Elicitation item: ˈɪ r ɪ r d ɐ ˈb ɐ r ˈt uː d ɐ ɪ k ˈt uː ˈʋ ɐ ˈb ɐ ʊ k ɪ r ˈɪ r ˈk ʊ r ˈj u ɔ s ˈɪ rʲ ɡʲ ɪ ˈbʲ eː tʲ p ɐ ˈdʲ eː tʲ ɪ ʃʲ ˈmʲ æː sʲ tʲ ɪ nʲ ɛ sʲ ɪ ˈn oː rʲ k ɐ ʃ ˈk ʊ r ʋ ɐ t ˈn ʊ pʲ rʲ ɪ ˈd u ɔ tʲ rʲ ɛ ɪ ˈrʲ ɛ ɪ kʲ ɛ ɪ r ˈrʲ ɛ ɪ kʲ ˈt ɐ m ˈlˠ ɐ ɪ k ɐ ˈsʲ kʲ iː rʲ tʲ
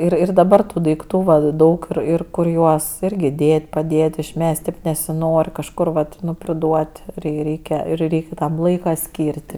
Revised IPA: ˈɪ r ɪ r d ɐ ˈb ɐ r ˈt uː d ɐ ɪ k ˈt uː ˈʋ ɐ ˈd ɐ ʊ k ɪ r ˈɪ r ˈk ʊ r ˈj u ɔ s ˈɪ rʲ ɡʲ ɪ ˈdʲ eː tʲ p ɐ ˈdʲ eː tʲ ɪ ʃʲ ˈmʲ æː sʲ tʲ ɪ nʲ ɛ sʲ ɪ ˈn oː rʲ k ɐ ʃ ˈk ʊ r ʋ ɐ t ˈn ʊ pʲ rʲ ɪ ˈd u ɔ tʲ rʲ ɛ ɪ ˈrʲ ɛ ɪ kʲ ɛ ɪ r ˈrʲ ɛ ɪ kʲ ˈt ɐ m ˈlˠ ɐ ɪ k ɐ ˈsʲ kʲ iː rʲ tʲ